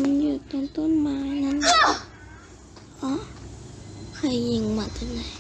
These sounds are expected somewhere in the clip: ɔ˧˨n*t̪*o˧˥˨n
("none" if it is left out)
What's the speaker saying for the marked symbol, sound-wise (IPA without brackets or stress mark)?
t̪